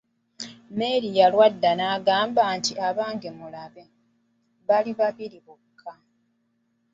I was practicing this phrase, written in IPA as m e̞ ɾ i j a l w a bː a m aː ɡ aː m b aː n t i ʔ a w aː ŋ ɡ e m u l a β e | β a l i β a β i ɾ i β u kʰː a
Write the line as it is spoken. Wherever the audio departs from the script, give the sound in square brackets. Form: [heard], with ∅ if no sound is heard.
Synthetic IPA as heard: m e̞ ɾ i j a l w a [dː] a [n] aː ɡ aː m b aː n t i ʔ a [β] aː ŋ ɡ e m u l a β e | β a l i β a β i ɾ i β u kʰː a

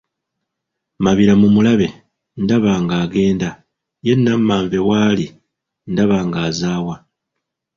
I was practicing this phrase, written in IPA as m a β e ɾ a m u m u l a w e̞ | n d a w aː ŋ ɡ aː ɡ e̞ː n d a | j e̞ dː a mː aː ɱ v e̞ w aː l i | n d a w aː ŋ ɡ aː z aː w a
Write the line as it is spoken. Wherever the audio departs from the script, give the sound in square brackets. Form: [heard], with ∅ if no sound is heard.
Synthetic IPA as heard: m a β [i] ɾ a m u m u l a [β] e̞ | n d a [β] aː ŋ ɡ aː ɡ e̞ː n d a | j e̞ [nː] a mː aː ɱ v e̞ w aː l i | n d a [β] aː ŋ ɡ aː z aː w a

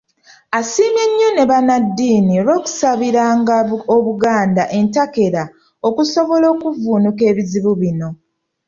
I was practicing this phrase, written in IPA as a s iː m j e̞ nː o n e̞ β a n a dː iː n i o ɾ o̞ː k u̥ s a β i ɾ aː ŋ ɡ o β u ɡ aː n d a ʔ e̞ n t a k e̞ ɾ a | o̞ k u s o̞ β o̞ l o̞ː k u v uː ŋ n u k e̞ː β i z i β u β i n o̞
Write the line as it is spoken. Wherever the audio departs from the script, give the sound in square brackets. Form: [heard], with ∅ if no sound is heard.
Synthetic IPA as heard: a s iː m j e̞ [ɲː] o n e̞ β a n a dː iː n i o ɾ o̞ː k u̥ s a β i ɾ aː ŋ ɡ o β u ɡ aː n d a ʔ e̞ n t a k e̞ ɾ a | o̞ k u s o̞ β o̞ l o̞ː k u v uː [∅] n u k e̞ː β i z i β u β i n o̞

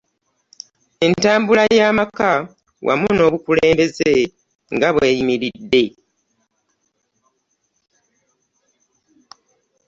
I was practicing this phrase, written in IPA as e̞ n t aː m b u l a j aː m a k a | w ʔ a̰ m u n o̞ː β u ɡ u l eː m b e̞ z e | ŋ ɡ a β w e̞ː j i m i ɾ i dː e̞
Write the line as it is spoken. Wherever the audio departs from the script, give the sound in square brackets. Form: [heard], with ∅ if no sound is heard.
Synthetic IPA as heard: e̞ n t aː m b u l a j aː m a k a | w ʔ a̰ m u n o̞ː β u [k] u l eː m b e̞ z e | ŋ ɡ a β w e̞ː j i m i ɾ i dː e̞

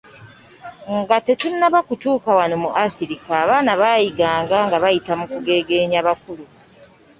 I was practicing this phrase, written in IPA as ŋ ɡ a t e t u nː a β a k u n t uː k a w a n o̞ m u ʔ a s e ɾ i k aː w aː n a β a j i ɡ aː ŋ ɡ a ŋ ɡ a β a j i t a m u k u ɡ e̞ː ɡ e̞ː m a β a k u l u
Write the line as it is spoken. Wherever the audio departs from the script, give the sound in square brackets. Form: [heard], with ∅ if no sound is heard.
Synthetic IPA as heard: ŋ ɡ a t e t u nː a β a k u [∅] t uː k a w a n o̞ m u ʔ a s [i] ɾ i k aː [β] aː n a β a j i ɡ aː ŋ ɡ a ŋ ɡ a β a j i t a m u k u ɡ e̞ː ɡ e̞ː [ɲ] a β a k u l u

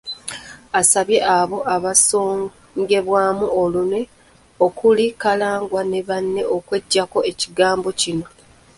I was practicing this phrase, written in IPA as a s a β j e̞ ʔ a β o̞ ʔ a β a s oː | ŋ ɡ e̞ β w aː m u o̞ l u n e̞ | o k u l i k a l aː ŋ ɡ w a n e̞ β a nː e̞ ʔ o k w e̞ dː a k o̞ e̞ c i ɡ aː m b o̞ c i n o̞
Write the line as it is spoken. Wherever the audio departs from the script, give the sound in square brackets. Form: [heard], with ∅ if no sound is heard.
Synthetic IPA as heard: a s a β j e̞ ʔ a β o̞ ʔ a β a s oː | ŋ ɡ e̞ β w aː m u o̞ l u n e̞ | o k u l i k a l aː ŋ ɡ w a n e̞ β a nː e̞ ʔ o k w e̞ [ɟː] a k o̞ e̞ c i ɡ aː m b o̞ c i n o̞

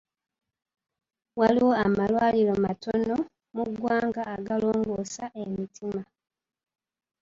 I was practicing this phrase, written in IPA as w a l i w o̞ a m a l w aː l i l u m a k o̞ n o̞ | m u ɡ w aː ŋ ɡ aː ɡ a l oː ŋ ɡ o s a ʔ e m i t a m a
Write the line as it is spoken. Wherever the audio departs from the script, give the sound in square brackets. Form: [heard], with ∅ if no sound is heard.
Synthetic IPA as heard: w a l i w o̞ a m a l w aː l i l [o] m a [t] o̞ n o̞ | m u ɡ w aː ŋ ɡ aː ɡ a l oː ŋ ɡ o s a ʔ e m i t [i] m a

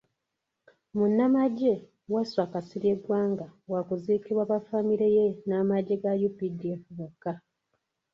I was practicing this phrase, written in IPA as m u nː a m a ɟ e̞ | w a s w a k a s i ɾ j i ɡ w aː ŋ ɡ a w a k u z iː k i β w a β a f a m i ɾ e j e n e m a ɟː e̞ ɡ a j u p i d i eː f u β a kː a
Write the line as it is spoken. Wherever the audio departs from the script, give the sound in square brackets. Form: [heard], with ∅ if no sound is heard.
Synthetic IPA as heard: m u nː a m a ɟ e̞ | w a s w a k a s i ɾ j [e] ɡ w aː ŋ ɡ a w a k u z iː k i β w a β a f a m i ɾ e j e n [a] m a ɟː e̞ ɡ a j u p i d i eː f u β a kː a

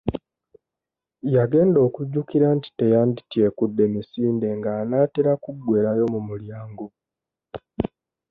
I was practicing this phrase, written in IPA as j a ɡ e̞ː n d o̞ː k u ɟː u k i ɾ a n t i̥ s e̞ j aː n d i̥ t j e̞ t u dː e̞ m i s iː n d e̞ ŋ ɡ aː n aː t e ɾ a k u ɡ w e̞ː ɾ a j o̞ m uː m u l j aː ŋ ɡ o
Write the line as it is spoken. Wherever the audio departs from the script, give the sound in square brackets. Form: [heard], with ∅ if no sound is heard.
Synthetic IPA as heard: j a ɡ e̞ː n d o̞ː k u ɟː u k i ɾ a n t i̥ [t] e̞ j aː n d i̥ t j e̞ [k] u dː e̞ m i s iː n d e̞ ŋ ɡ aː n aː t e ɾ a k u ɡ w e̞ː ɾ a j o̞ m [u] m u l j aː ŋ ɡ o

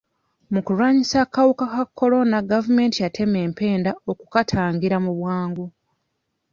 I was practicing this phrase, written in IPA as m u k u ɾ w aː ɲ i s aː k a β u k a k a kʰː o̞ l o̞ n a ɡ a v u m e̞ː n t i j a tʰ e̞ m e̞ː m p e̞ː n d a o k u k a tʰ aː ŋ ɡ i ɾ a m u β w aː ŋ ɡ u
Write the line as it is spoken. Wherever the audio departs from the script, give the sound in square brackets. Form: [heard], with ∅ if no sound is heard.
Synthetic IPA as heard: m u k u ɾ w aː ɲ i s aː k a [w] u k a k a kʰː o̞ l o̞ n a ɡ a v u m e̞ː n t i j a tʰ e̞ m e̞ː m p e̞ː n d a o k u k a tʰ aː ŋ ɡ i ɾ a m u β w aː ŋ ɡ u

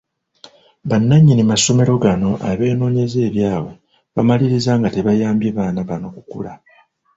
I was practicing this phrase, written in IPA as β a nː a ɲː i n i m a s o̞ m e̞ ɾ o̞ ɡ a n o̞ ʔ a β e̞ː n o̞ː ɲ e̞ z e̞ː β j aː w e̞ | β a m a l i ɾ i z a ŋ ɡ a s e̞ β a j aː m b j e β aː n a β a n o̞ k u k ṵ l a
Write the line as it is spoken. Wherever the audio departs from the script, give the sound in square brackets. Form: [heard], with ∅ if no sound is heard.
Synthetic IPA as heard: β a nː a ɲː i n i m a s o̞ m e̞ ɾ o̞ ɡ a n o̞ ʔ a β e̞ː n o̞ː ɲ e̞ z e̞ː β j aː w e̞ | β a m a l i ɾ i z a ŋ ɡ a [t] e̞ β a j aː m b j e β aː n a β a n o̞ k u k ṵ l a

